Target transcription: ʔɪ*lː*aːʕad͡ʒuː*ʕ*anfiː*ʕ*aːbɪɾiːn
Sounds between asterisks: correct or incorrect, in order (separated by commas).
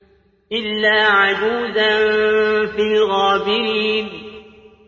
correct, incorrect, incorrect